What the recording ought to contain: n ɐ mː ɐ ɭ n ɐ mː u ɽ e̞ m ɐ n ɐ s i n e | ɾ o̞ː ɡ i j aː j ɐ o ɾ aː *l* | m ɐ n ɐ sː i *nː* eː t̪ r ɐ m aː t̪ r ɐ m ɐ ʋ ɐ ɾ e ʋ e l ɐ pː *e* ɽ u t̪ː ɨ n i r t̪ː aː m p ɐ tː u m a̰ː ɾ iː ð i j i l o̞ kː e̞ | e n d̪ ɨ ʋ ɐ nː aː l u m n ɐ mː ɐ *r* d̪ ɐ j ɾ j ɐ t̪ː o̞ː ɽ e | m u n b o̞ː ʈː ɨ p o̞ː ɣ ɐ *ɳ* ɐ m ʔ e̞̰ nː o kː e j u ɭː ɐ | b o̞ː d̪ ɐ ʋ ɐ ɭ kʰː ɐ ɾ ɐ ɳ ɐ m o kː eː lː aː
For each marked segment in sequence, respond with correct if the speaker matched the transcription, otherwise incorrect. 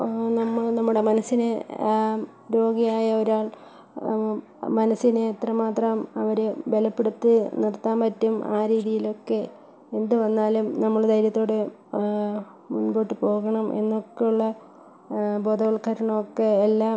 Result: incorrect, incorrect, correct, incorrect, correct

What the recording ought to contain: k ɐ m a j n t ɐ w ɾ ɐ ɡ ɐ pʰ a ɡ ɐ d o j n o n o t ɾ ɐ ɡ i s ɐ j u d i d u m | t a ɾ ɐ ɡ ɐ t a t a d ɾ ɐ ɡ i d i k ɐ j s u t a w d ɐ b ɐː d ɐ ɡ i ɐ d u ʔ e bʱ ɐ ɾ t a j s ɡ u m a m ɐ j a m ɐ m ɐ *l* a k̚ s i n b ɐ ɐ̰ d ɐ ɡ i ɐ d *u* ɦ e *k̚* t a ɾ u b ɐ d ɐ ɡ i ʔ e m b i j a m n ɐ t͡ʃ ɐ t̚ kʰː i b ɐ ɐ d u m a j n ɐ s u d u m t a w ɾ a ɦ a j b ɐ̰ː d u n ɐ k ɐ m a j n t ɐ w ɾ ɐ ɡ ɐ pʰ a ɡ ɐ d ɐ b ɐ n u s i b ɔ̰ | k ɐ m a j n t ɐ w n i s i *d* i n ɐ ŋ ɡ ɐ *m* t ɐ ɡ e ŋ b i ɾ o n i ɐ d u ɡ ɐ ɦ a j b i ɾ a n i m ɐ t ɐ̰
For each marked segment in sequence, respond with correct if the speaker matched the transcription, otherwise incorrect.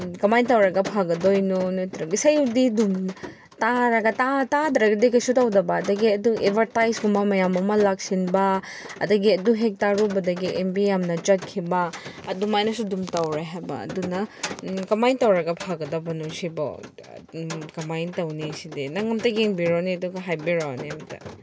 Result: correct, correct, correct, correct, correct

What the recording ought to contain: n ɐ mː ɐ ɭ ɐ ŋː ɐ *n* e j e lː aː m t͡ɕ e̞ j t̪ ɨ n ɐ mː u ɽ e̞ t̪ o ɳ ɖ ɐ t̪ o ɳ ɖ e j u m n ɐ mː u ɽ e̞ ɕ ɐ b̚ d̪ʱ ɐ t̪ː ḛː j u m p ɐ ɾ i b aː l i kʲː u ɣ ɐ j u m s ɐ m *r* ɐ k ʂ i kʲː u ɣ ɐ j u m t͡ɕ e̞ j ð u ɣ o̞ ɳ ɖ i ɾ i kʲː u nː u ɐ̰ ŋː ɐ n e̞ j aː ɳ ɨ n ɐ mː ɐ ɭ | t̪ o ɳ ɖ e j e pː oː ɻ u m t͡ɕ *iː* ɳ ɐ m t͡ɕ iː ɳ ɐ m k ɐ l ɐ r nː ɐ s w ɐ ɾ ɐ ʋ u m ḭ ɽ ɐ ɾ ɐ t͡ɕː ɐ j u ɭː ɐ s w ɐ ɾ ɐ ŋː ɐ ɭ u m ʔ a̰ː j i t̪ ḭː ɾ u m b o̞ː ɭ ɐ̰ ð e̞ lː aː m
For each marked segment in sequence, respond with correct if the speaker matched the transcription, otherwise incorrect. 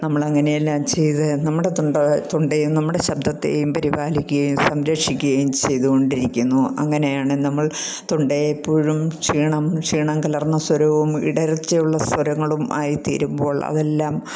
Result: correct, incorrect, correct

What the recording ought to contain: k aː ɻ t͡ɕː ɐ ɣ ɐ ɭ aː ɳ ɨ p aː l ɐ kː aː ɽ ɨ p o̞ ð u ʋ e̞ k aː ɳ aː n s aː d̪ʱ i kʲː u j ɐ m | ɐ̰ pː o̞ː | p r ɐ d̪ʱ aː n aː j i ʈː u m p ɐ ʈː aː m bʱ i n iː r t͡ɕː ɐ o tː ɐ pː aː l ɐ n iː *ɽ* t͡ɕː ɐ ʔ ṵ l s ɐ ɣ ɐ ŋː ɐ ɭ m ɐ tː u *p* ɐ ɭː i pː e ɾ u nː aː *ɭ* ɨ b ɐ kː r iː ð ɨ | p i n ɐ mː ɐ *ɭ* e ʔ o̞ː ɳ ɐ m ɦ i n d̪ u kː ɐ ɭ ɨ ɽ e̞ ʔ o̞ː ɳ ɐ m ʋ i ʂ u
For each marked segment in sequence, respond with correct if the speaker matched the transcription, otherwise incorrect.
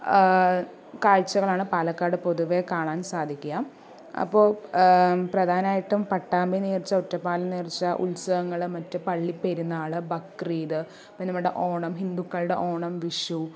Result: incorrect, correct, correct, incorrect

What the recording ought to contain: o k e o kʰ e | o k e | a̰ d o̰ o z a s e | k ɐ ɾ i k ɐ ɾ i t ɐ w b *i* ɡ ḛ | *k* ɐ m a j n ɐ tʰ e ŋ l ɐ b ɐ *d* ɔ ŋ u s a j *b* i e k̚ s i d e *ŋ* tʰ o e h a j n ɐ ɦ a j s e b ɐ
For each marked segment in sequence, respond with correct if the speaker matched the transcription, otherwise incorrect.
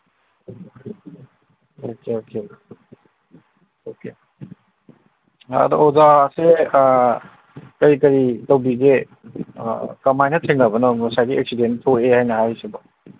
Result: correct, correct, incorrect, incorrect, incorrect

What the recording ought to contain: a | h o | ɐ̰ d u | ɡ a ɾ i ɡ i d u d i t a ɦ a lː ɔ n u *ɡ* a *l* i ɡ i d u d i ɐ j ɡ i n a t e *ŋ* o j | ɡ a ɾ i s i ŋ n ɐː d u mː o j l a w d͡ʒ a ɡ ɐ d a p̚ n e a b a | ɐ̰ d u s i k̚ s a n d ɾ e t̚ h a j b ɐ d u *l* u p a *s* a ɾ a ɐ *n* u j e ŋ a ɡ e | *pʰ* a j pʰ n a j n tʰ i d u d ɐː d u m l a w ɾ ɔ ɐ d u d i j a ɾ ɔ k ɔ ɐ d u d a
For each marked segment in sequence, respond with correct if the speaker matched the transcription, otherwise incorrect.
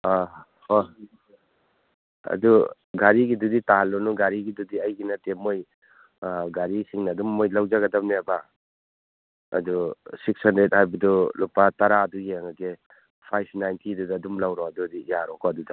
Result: correct, incorrect, incorrect, correct, incorrect, incorrect, correct

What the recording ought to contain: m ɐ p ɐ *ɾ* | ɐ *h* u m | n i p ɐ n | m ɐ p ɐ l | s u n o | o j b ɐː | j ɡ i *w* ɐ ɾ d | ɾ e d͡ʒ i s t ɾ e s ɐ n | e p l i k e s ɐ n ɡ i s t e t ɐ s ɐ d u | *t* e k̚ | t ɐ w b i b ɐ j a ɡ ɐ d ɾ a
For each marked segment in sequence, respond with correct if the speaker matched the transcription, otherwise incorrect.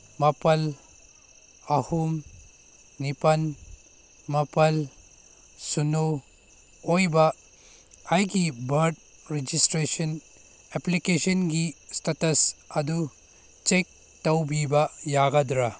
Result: incorrect, correct, incorrect, incorrect

